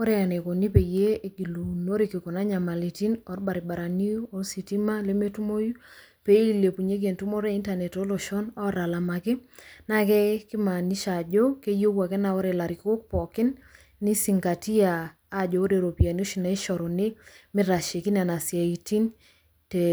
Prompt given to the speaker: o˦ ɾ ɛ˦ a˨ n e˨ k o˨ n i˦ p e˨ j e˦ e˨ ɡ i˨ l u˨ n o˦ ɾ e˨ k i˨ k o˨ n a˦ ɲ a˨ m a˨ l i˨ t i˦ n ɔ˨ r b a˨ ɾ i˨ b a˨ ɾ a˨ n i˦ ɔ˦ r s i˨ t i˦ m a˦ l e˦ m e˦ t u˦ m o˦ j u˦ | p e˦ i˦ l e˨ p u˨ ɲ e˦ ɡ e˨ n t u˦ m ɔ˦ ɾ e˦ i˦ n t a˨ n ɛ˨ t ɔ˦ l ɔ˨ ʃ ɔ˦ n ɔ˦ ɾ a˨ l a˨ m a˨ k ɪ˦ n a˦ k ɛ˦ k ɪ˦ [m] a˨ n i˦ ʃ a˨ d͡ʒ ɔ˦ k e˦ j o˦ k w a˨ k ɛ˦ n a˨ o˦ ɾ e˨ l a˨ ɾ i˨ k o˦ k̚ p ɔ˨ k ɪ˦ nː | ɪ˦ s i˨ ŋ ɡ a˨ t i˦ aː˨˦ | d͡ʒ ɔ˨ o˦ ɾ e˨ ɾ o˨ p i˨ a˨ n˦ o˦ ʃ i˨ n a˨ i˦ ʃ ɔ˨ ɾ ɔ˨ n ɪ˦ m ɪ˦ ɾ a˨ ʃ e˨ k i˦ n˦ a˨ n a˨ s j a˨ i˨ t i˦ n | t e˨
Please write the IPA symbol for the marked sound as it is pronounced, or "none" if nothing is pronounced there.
m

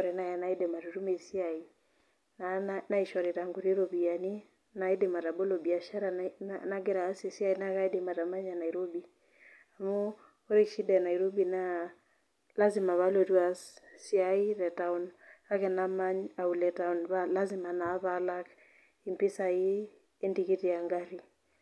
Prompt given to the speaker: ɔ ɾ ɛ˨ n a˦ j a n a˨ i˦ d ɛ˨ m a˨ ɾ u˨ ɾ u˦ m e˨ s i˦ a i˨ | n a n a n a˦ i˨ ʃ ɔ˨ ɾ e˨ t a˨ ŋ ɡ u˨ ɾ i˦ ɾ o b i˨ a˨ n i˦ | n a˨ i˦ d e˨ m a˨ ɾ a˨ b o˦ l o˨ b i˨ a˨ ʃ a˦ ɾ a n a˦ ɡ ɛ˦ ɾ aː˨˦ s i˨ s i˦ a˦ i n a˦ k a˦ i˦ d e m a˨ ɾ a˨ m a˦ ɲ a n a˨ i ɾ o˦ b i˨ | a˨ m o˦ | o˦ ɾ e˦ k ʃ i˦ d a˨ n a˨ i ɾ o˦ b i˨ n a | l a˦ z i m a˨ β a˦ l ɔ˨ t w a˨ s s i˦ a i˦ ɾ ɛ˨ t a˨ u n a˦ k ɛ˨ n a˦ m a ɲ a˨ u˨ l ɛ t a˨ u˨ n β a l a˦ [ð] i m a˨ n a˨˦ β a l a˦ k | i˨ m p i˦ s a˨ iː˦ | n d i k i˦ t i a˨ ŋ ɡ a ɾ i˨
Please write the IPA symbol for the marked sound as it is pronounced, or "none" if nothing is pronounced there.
z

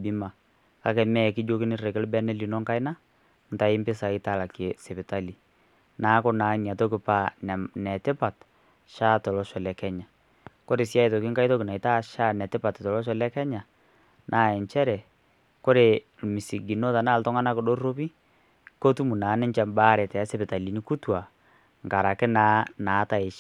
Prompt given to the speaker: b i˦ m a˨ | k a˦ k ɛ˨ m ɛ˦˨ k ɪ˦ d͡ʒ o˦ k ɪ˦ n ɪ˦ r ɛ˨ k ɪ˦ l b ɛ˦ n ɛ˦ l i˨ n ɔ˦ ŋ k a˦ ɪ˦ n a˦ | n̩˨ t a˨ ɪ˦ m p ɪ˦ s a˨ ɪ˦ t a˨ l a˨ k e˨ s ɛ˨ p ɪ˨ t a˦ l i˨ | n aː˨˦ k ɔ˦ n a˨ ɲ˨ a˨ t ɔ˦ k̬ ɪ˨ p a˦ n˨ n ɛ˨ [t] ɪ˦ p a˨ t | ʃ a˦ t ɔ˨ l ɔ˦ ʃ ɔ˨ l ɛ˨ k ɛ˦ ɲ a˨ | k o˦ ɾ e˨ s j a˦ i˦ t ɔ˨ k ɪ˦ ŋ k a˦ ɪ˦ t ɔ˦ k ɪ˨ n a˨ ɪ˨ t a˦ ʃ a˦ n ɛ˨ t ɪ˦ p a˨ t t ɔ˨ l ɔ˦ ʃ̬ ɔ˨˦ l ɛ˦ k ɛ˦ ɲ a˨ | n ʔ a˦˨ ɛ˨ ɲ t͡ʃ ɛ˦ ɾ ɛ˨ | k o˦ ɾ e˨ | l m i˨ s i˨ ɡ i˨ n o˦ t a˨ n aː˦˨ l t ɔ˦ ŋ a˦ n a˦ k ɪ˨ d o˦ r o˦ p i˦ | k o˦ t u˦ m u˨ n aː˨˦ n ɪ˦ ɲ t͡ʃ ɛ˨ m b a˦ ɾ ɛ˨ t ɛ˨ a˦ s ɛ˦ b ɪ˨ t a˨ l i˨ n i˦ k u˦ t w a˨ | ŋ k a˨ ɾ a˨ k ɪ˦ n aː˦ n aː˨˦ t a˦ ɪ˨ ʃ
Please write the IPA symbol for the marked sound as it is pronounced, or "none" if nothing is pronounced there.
t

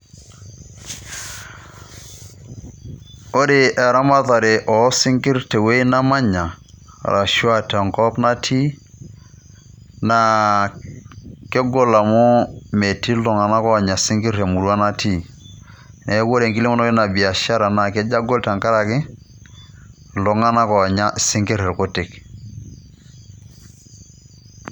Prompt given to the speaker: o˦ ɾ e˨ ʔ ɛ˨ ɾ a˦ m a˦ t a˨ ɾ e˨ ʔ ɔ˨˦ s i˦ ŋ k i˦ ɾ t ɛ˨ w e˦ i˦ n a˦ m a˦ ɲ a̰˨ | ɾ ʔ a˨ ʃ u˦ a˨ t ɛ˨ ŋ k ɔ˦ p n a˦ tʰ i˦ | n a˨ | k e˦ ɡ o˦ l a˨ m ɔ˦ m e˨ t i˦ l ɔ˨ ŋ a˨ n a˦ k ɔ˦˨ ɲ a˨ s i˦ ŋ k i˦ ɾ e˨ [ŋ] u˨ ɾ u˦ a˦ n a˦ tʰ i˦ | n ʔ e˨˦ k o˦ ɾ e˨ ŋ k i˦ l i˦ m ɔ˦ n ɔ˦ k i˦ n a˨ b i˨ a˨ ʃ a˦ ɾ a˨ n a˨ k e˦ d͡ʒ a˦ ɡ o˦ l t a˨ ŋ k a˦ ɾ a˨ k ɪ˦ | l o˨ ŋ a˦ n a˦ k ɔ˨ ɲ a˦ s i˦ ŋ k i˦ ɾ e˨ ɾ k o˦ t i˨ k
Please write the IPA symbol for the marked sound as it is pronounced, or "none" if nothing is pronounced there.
m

